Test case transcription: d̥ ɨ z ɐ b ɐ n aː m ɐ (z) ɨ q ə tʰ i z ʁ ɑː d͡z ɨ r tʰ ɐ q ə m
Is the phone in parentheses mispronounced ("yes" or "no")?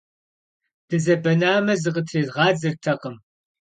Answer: no